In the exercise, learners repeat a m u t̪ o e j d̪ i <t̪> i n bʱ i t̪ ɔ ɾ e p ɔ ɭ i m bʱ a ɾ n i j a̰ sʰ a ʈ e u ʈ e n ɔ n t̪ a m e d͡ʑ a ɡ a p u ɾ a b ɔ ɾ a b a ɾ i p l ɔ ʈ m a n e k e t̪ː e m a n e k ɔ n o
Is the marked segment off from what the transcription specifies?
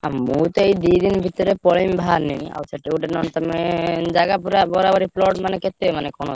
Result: yes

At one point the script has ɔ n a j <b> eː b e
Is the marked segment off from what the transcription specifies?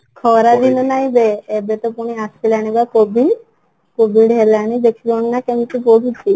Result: no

